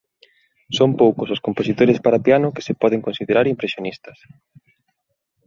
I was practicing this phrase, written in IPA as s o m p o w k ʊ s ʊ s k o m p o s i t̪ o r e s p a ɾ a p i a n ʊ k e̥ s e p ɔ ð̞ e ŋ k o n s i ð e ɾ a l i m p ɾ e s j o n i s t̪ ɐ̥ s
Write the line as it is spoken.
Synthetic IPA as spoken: s o m p o w k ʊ s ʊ s k o m p o s i t̪ o ɾ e s p a ɾ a p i a n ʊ k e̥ s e p ɔ ð̞ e ŋ k o n s i ð e ɾ a ɾ i m p ɾ e s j o n i s t̪ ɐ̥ s